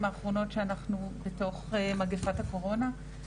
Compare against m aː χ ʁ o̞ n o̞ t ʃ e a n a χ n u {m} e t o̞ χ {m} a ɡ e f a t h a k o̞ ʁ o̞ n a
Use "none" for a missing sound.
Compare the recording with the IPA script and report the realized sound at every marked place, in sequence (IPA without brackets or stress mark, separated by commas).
b, m